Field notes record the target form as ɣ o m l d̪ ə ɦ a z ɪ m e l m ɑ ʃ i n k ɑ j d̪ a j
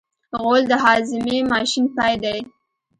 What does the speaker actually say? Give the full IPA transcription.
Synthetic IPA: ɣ o l d̪ ə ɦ ɑ z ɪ m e m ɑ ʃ i n p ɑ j d̪ a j